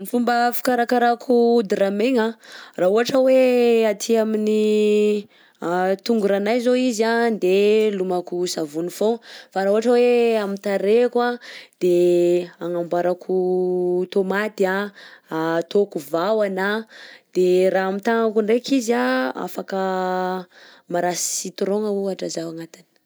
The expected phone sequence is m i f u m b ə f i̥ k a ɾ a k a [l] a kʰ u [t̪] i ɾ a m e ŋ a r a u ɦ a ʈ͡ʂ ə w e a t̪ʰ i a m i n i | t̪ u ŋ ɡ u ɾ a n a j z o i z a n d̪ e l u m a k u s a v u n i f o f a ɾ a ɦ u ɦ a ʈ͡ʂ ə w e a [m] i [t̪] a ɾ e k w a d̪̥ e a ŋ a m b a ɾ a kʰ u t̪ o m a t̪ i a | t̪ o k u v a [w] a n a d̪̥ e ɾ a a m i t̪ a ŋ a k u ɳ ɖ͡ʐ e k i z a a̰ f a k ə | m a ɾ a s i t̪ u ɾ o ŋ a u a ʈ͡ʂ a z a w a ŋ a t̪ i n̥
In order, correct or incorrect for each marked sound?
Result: incorrect, incorrect, correct, correct, correct

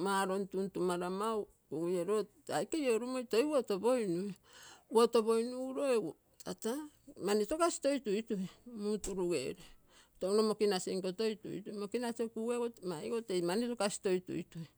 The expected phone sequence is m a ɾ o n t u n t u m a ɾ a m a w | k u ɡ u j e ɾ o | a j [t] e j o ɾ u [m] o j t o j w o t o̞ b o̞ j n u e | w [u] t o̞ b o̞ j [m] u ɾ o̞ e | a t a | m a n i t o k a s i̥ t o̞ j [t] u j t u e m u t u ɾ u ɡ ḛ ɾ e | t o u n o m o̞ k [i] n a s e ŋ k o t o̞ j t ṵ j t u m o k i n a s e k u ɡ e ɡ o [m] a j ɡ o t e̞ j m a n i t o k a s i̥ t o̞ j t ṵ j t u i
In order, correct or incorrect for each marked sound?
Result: incorrect, correct, incorrect, incorrect, correct, correct, correct

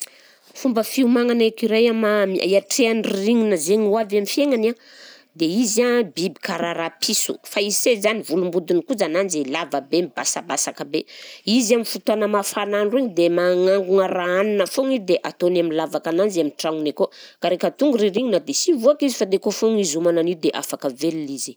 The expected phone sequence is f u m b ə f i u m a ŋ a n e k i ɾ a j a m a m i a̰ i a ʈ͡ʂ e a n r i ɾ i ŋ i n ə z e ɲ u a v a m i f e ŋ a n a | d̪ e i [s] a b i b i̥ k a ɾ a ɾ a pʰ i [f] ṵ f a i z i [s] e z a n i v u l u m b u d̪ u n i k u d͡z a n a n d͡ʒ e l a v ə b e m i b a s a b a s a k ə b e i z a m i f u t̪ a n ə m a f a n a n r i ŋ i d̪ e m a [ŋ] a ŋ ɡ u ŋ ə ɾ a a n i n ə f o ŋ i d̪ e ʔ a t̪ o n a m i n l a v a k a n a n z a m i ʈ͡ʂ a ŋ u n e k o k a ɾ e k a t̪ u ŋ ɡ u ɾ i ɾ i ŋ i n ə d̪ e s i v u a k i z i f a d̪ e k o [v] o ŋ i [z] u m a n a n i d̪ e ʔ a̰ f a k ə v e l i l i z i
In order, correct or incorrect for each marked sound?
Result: incorrect, incorrect, correct, correct, incorrect, correct

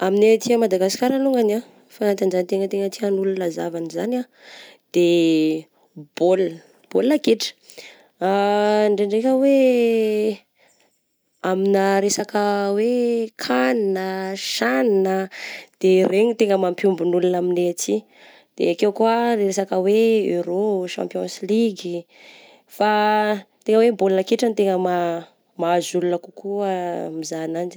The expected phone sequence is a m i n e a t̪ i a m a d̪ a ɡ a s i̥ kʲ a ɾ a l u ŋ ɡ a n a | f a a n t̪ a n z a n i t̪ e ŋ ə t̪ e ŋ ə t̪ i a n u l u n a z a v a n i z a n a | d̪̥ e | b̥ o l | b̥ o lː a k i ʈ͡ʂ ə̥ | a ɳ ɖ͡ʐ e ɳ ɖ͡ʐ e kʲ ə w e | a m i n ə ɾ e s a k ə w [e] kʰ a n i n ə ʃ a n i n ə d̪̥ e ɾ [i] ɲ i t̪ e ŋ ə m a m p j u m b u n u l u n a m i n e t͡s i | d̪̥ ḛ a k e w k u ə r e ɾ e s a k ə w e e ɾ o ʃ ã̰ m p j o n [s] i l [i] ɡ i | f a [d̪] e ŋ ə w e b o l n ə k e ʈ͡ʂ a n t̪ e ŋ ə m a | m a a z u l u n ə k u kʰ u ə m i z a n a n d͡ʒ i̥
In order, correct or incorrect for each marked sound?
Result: correct, incorrect, correct, correct, incorrect

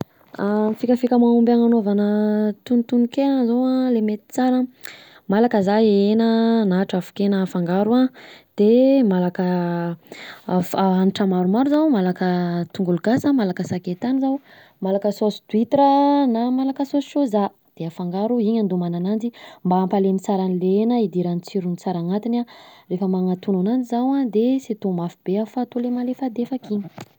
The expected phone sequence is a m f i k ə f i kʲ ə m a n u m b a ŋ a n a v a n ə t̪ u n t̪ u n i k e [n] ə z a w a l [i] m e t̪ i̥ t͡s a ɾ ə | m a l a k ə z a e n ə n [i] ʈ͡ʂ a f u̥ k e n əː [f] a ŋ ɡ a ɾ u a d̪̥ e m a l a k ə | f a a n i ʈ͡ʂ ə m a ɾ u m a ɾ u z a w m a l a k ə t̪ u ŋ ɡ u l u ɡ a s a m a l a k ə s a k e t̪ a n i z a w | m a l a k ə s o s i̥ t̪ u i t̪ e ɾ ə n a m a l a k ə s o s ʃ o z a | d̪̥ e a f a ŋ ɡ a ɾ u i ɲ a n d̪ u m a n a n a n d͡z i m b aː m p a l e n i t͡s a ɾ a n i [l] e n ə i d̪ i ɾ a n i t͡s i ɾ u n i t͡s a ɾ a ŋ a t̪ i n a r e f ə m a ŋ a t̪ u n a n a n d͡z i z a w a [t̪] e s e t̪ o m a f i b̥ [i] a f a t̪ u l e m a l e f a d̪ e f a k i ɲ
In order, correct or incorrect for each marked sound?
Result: correct, incorrect, incorrect, correct, correct, incorrect, incorrect

